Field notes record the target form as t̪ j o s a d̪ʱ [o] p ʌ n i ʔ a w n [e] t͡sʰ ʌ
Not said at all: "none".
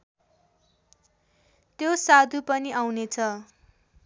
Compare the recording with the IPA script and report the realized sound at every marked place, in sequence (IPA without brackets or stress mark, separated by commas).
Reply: u, e